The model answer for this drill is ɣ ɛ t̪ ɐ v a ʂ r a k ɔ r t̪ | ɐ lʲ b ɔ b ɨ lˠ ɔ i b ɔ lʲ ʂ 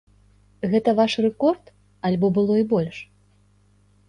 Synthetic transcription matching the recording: ɣ ɛ t̪ ɐ v a ʂ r ɛ k ɔ r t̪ | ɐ lʲ b ɔ b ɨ lˠ ɔ i b ɔ lʲ ʂ